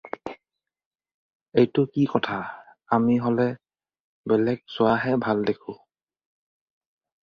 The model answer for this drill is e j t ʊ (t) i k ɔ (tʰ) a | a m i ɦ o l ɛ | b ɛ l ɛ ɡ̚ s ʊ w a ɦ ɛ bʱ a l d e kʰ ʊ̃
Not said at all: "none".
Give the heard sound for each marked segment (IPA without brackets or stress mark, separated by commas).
k, tʰ